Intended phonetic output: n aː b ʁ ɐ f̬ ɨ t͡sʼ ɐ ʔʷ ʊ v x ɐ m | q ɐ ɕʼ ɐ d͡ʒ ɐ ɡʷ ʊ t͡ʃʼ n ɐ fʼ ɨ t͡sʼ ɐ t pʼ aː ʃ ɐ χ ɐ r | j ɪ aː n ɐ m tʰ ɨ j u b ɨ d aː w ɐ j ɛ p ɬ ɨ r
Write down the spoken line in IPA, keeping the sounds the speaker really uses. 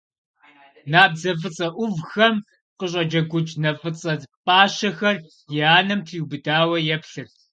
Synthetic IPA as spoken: n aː b z ɐ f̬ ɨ t͡sʼ ɐ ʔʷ ʊ v x ɐ m | q ə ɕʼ ɐ d͡ʒ ɐ ɡʷ ʊ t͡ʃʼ n ɐ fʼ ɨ t͡sʼ ɐ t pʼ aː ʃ ɐ x ɐ r | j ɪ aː n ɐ m tʰ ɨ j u b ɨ d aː w ɐ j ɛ p ɬ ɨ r